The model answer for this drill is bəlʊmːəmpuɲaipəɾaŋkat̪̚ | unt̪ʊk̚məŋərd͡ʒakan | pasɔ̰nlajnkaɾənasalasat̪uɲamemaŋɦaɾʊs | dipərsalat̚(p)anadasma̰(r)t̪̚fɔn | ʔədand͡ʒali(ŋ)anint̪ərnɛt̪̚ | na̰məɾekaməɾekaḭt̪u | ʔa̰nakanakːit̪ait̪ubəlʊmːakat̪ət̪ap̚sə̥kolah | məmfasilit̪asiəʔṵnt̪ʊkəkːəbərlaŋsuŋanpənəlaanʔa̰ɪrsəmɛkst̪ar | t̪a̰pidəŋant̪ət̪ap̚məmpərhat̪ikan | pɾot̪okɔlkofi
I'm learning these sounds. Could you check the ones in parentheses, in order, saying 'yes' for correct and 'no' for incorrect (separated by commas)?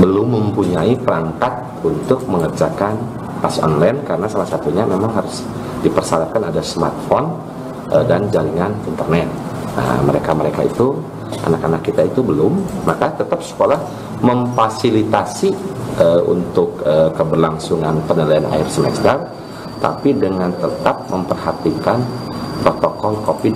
no, yes, yes